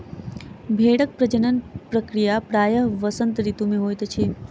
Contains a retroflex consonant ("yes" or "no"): yes